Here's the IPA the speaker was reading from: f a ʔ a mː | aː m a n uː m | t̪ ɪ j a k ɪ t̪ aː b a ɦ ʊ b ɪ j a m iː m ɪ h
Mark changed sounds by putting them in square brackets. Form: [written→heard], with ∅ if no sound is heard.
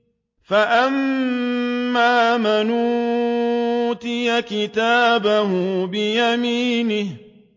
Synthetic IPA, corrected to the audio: f a ʔ a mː | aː m a n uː [m→∅] | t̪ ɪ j a k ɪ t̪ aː b a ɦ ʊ b ɪ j a m iː [m→n] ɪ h

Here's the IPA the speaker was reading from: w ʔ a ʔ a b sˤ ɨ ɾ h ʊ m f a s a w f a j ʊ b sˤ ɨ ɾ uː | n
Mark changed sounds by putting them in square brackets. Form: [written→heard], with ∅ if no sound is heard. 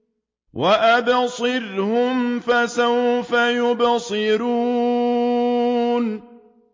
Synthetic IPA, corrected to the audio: w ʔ a ʔ a b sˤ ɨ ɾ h ʊ m f a s a w f a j ʊ b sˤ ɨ ɾ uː | n

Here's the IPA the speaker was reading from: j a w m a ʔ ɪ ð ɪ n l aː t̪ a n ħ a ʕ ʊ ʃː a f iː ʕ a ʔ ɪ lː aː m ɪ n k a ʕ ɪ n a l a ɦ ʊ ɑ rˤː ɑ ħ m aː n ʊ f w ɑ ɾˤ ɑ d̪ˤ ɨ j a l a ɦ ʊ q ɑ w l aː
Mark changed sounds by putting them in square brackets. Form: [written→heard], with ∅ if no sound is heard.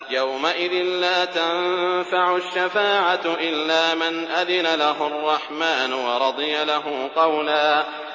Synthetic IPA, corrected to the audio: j a w m a ʔ ɪ ð ɪ n l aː t̪ a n [ħ→f] a ʕ ʊ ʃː a f [iː→aː] ʕ a ʔ ɪ lː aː m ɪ n [k→ʔ] a [ʕ→ð] ɪ n a l a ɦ ʊ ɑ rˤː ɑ ħ m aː n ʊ [f→∅] w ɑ ɾˤ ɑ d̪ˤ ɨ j a l a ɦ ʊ q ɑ w l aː

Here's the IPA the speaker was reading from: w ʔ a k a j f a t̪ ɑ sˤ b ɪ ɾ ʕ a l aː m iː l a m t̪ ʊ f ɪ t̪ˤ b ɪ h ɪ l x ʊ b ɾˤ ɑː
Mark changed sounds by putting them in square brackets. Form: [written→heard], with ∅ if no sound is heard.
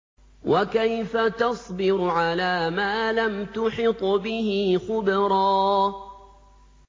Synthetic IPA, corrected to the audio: w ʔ a k a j f a t̪ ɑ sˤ b ɪ ɾ ʕ a l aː m [iː→aː] l a m t̪ ʊ [f→ħ] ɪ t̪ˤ b ɪ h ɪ [l→∅] x ʊ b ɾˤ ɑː

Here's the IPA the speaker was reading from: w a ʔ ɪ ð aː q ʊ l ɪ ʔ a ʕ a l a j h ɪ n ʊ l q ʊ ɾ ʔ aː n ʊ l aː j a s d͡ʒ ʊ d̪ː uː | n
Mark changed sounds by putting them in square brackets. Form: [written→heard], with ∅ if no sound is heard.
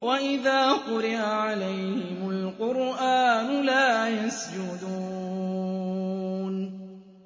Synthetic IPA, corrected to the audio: w a ʔ ɪ ð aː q ʊ [l→ɾ] ɪ ʔ a ʕ a l a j h ɪ [n→m] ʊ l q ʊ ɾ ʔ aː n ʊ l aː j a s d͡ʒ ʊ [d̪ː→d̪] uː | n

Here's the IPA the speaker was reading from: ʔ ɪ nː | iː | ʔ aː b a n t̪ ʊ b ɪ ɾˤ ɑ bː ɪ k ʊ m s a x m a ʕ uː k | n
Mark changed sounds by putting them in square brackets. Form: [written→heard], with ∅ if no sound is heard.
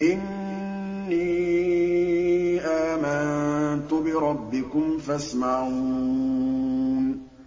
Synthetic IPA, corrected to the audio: ʔ ɪ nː | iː | ʔ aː [b→m] a n t̪ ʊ b ɪ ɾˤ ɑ bː ɪ k ʊ m [s→f] a [x→s] m a ʕ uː [k→∅] | n

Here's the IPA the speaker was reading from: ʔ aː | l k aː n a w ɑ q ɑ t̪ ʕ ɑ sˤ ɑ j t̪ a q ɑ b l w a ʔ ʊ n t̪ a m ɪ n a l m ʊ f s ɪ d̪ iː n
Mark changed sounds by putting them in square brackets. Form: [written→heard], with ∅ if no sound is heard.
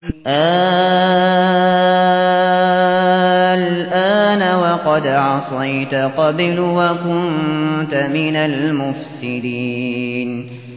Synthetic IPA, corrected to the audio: ʔ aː | l [k→ʔ] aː n a w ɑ q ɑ [t̪→d̪] ʕ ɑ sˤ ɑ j t̪ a q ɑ b l w a [ʔ→k] ʊ n t̪ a m ɪ n a l m ʊ f s ɪ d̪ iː n

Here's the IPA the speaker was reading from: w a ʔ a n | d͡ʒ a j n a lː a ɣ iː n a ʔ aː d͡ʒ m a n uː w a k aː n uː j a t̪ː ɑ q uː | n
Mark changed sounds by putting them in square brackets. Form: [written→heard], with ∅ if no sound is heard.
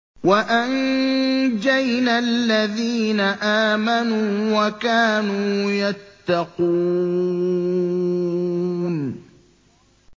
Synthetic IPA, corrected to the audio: w a ʔ a n | d͡ʒ a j n a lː a [ɣ→ð] iː n a ʔ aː [d͡ʒ→∅] m a n uː w a k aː n uː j a t̪ː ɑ q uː | n

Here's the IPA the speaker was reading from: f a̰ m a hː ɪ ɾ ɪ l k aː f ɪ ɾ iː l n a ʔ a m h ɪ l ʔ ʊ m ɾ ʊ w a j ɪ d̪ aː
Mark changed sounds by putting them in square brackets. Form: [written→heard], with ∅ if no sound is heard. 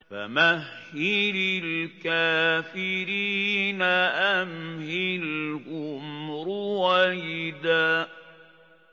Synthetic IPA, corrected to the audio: f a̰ m a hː ɪ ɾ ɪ l k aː f ɪ ɾ iː [l→∅] n a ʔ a m h ɪ l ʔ ʊ m ɾ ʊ w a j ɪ d̪ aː

